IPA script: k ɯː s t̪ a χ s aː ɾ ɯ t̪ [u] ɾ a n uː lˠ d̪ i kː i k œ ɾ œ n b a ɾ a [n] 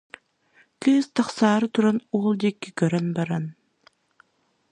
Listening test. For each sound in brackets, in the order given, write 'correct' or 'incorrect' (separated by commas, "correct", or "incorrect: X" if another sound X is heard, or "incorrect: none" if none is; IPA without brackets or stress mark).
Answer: correct, correct